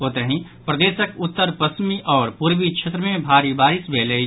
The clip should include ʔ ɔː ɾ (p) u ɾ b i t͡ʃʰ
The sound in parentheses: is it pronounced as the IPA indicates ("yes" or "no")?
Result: yes